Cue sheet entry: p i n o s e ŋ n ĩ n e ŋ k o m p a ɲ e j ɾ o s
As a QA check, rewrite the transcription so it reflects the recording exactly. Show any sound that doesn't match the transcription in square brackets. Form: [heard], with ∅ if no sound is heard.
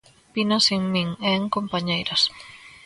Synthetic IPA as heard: p i n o s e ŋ [m] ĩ [ŋ] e ŋ k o m p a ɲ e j ɾ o s